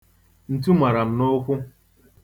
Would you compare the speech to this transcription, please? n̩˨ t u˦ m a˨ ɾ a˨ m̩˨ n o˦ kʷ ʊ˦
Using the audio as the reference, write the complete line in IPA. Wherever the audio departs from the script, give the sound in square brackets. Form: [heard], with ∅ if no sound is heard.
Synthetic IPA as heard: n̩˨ t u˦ m a˨ ɾ a˨ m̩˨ n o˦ kʷ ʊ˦